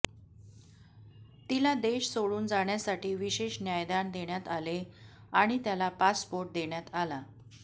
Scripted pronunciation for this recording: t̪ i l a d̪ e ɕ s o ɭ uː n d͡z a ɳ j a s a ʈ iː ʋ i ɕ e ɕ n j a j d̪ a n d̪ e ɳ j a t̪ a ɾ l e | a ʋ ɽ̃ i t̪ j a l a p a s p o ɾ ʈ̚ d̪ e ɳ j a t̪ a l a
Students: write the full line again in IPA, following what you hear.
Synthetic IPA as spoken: t̪ i l a d̪ e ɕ s o ɭ uː n d͡z a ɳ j a s a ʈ iː ʋ i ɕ e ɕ n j a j d̪ a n d̪ e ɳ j a t̪ a l e | a ɽ̃ i t̪ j a l a p a s p o ɾ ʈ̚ d̪ e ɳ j a t̪ a l a